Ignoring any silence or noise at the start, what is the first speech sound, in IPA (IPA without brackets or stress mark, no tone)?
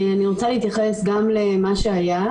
a